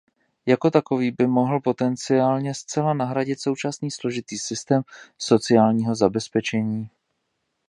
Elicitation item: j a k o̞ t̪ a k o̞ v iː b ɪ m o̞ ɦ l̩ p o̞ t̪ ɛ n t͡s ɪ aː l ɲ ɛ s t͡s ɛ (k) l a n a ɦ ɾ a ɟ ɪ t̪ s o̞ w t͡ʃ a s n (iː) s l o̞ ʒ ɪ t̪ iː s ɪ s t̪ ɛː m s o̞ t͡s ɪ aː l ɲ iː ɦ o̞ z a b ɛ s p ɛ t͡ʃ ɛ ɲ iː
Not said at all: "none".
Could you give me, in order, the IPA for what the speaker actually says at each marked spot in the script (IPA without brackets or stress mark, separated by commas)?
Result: none, iː